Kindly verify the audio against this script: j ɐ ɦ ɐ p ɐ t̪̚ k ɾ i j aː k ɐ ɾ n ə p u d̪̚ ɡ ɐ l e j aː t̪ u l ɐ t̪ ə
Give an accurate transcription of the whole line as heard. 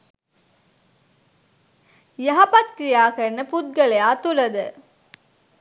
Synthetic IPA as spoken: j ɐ ɦ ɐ p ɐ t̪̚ k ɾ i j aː k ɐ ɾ n ə p u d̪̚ ɡ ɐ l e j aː t̪ u l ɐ d̪ ə